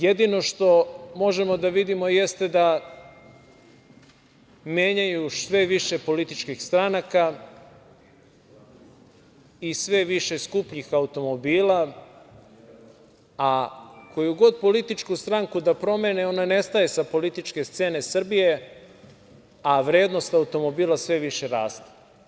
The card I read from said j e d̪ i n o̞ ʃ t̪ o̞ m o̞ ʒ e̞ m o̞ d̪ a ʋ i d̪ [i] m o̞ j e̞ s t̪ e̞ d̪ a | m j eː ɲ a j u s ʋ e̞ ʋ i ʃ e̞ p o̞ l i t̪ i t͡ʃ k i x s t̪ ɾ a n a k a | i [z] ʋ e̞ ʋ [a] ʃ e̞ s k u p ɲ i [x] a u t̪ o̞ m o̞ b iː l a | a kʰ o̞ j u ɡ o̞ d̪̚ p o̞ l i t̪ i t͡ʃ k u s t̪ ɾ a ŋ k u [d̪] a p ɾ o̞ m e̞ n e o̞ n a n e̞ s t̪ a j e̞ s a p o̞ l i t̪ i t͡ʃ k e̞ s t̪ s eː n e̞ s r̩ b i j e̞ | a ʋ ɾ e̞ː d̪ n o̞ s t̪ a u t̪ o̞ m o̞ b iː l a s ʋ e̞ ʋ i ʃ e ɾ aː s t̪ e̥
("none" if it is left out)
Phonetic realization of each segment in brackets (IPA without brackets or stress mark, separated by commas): i, s, i, x, d̪